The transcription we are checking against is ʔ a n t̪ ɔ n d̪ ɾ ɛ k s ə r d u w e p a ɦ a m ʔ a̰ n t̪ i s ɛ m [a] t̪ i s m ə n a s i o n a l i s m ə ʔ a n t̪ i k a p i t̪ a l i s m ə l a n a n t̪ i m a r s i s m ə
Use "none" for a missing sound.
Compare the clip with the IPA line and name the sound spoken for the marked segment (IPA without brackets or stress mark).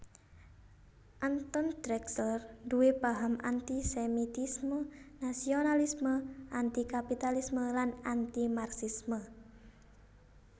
i